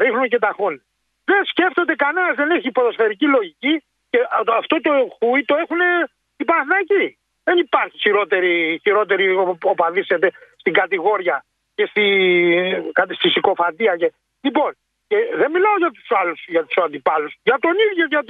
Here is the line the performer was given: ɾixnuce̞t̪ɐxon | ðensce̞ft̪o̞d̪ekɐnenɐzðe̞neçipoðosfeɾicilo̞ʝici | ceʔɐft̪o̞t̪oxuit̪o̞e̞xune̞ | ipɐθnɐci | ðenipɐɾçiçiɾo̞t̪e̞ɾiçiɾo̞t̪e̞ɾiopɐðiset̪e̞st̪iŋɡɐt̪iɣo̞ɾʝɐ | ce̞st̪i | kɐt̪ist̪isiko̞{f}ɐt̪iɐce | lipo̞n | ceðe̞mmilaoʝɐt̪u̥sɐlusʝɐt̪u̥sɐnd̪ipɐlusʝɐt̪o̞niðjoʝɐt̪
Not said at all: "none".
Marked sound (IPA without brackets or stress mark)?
f